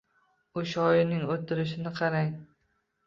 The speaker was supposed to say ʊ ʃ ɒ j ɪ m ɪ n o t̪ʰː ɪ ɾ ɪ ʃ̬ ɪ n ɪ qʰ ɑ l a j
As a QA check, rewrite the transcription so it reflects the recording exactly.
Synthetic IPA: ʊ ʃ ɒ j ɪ n ɪ ŋ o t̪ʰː ɪ ɾ ɪ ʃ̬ ɪ n ɪ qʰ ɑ ɾ a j